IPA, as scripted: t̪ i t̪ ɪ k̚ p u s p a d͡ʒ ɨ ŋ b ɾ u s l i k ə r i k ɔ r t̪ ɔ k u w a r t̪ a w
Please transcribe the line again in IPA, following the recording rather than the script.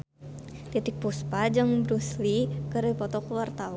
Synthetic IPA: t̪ i t̪ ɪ k̚ p u s p a d͡ʒ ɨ ŋ b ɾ u s l i k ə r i p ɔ t̪ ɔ k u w a r t̪ a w